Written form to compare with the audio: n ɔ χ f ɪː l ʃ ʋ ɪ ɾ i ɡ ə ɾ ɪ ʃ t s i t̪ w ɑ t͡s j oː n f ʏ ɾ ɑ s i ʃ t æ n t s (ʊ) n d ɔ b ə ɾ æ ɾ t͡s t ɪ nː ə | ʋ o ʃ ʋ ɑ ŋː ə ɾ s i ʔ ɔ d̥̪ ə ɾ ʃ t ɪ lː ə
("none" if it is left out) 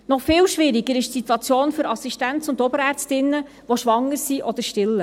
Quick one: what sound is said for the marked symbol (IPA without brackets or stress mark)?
ʊ